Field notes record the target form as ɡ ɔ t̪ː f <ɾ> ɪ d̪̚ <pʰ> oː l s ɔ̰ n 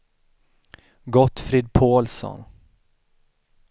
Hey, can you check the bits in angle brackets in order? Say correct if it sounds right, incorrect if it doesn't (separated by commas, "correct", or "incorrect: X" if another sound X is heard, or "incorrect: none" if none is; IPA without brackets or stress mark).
correct, correct